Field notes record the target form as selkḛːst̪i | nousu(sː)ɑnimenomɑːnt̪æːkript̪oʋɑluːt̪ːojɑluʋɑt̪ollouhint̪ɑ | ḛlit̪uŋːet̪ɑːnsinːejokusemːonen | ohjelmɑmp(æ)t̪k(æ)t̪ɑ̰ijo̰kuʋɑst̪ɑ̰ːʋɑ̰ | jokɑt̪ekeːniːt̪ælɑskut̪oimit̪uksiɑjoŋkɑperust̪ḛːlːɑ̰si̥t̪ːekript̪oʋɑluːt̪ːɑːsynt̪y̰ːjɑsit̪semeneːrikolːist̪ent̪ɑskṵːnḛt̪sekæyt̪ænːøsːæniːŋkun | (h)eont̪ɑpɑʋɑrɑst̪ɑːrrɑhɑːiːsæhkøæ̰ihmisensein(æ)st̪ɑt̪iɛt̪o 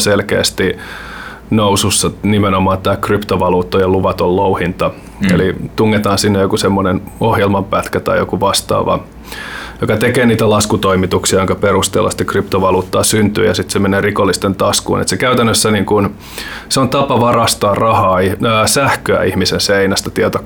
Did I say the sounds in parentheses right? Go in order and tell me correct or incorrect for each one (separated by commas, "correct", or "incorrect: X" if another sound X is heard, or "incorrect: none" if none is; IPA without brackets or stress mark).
correct, correct, correct, incorrect: s, correct